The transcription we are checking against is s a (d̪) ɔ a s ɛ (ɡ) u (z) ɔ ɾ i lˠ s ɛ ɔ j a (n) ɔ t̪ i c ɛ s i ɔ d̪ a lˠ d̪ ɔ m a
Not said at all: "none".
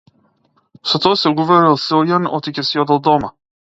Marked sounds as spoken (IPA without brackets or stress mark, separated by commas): t̪, ɡ, v, n